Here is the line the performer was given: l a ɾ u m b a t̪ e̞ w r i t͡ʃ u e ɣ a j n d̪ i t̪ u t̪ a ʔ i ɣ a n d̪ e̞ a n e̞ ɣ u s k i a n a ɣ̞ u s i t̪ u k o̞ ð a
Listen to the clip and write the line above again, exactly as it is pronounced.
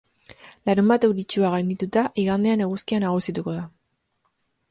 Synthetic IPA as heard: l a ɾ u m b a t̪ e̞ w ɾ i t͡ʃ u a ɣ a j n d̪ i t̪ u t̪ a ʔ i ɣ a n d̪ e̞ a n e̞ ɣ u s k i a n a ɣ̞ u s i t̪ u k o̞ ð a